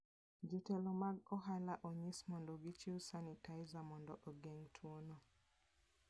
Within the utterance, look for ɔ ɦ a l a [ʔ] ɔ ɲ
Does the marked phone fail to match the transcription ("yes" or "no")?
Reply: no